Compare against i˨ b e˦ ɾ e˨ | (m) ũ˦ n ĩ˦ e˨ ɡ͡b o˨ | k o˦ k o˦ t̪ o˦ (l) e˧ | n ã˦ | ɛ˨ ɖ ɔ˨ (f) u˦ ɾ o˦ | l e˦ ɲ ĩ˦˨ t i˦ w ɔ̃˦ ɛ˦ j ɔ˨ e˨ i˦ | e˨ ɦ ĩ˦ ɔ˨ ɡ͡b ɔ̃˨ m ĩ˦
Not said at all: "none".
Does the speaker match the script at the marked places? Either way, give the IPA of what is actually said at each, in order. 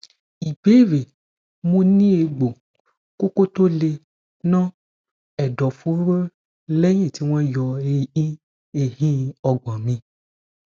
m, l, f

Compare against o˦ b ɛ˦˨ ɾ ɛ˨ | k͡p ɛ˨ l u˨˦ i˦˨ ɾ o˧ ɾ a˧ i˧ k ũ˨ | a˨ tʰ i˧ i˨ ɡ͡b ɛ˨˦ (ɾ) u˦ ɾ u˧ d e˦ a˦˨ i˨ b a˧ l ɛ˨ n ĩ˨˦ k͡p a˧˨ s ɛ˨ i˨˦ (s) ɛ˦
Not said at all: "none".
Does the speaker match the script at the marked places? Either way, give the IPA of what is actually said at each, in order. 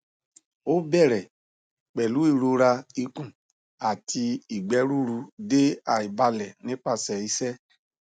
ɾ, s

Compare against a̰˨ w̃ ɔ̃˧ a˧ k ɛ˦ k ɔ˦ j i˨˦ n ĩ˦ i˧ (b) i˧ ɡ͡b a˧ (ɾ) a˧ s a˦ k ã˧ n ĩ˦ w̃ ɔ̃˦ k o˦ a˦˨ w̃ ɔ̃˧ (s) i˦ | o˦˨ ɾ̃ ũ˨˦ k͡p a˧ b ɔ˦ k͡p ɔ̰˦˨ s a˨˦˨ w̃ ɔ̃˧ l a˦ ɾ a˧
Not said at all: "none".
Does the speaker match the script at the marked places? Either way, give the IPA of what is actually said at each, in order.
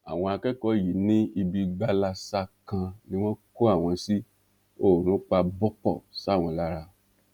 b, l, s

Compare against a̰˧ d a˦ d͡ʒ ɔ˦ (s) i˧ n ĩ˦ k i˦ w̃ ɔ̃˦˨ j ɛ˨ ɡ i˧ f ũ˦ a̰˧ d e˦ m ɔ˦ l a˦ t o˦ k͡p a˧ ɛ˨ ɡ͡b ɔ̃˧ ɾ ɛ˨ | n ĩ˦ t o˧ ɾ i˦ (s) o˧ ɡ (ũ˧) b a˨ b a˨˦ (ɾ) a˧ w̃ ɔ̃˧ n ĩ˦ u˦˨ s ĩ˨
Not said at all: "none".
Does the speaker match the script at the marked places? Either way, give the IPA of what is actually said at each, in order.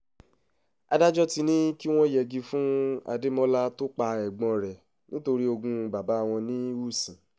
t, none, ũ˧, none

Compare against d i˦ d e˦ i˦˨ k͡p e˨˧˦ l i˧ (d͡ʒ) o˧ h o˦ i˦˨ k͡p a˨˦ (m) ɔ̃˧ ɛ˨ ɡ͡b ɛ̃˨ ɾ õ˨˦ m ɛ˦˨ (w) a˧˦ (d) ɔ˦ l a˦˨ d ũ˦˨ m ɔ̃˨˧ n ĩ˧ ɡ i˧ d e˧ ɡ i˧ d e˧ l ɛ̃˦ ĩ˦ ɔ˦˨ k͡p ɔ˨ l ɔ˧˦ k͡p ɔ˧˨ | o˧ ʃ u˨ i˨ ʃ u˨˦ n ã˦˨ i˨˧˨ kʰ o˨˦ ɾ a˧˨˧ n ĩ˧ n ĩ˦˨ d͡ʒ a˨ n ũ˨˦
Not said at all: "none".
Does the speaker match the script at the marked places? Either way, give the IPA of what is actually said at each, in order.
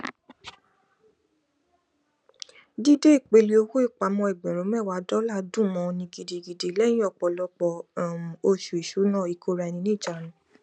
none, m, w, d

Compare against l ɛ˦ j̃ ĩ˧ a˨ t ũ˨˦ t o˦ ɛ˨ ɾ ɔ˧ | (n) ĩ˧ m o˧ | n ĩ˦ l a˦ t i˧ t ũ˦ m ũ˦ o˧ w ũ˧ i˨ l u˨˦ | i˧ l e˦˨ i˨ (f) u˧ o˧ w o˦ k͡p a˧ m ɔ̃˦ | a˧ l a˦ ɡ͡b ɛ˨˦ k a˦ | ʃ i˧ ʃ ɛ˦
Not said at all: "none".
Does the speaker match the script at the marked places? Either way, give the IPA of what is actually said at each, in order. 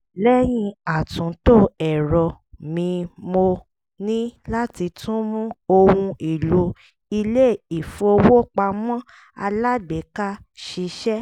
m, f

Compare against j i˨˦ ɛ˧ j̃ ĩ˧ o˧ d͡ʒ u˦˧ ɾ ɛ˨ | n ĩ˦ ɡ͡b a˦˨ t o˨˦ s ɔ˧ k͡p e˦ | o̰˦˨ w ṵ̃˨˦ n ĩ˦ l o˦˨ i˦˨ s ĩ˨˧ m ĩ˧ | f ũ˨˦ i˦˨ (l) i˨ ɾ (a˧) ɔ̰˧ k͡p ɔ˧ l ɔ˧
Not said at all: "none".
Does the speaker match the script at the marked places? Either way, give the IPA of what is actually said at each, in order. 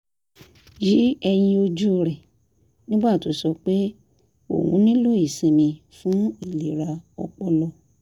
l, a˧

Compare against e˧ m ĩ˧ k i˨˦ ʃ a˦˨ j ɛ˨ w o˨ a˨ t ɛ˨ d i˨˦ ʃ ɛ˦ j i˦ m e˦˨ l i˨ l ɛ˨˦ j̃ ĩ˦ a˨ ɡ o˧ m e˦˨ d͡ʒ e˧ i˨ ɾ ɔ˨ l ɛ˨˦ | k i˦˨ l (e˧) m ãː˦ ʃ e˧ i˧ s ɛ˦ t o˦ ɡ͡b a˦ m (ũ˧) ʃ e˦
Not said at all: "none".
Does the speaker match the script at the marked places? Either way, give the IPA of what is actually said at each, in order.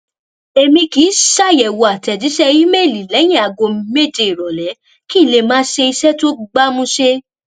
e˧, ũ˧

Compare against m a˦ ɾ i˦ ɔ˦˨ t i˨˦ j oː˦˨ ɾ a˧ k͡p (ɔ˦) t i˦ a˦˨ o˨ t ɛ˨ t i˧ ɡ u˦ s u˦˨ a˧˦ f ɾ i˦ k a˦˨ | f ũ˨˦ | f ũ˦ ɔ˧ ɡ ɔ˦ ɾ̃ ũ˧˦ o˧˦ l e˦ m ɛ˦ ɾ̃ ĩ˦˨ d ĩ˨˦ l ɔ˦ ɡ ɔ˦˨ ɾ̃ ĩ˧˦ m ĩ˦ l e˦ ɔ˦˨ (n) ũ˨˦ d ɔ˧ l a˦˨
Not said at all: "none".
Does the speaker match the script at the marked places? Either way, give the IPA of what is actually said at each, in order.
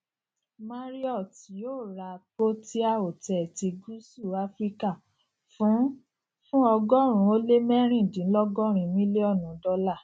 o˦, n

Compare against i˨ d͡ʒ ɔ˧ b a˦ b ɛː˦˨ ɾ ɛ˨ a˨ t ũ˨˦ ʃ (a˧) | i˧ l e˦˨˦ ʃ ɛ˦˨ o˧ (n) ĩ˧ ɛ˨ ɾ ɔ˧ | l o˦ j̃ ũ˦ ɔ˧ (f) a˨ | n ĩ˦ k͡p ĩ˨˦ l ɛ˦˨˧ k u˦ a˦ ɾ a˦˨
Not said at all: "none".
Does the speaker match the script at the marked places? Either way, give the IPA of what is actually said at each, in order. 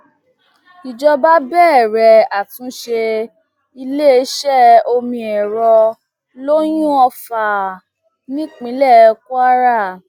e˧, m, f

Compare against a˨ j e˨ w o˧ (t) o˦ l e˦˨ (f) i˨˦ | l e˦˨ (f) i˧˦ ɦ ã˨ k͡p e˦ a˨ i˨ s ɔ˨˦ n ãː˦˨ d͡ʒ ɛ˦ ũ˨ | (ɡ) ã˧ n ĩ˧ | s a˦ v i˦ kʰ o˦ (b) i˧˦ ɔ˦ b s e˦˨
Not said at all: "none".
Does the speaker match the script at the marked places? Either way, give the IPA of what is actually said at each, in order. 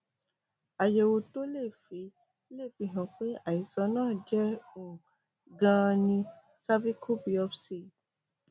t, f, f, ɡ, b

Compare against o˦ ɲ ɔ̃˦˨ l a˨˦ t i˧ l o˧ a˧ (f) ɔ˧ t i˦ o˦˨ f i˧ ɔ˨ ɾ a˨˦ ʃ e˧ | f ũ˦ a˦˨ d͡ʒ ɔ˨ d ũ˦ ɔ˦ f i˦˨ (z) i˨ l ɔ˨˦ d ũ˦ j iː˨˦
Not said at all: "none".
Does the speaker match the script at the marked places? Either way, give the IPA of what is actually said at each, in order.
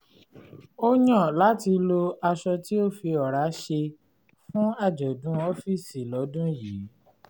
ʃ, s

